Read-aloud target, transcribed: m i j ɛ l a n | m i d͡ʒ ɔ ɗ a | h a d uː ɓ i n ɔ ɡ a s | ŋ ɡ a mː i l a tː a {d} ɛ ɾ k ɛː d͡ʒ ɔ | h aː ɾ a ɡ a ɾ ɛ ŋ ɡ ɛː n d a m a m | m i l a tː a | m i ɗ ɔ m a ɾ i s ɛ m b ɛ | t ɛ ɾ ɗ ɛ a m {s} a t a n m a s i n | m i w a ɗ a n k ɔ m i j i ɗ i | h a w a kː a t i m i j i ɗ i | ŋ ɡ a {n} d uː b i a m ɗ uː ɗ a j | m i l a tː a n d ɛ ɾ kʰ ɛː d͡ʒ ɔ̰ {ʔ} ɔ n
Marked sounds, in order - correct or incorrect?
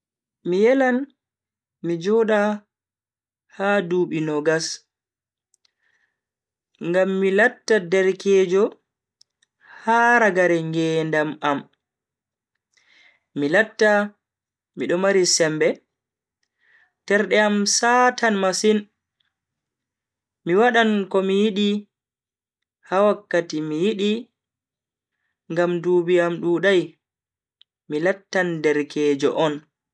correct, correct, incorrect, correct

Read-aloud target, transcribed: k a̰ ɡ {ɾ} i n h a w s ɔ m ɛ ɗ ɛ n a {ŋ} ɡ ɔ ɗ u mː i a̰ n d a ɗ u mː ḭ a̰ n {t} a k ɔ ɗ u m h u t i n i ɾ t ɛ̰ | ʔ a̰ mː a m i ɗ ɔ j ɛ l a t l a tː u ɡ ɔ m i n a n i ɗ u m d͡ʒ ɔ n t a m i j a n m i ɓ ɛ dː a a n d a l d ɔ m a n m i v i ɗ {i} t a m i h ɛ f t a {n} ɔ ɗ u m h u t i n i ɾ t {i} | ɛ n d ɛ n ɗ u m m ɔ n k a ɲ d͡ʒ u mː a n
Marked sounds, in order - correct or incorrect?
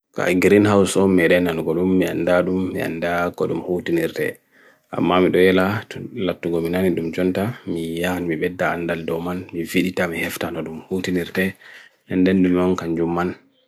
correct, incorrect, incorrect, correct, correct, incorrect

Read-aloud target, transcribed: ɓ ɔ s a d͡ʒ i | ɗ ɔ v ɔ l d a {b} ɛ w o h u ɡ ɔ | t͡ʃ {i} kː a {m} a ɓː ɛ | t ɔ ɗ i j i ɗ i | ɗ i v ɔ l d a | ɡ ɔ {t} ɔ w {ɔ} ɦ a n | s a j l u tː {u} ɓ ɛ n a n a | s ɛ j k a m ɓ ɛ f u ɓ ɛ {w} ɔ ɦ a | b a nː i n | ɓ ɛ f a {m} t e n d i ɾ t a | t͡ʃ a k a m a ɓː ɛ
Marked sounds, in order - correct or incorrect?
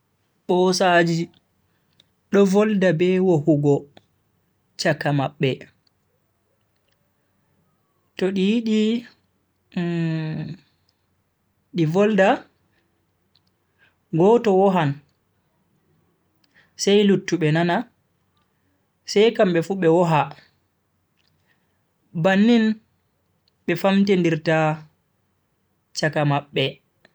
correct, incorrect, correct, correct, correct, correct, correct, correct

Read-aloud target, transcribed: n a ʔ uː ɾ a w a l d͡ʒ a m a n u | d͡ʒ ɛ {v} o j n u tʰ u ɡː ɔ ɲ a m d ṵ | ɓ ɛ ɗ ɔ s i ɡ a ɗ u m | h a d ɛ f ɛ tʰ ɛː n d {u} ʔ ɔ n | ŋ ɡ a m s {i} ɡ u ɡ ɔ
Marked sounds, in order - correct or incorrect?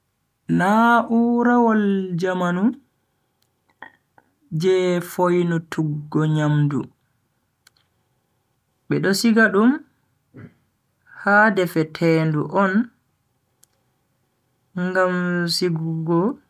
incorrect, correct, correct

